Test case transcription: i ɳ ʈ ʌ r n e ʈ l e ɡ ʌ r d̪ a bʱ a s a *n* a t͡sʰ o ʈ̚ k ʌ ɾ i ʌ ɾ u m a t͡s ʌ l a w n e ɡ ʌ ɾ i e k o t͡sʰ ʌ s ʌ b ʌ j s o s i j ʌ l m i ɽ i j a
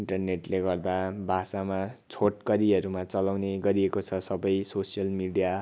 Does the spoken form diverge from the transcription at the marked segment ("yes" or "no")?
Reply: yes